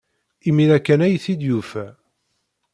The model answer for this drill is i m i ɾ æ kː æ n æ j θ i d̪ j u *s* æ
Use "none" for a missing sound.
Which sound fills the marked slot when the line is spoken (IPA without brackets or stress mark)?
f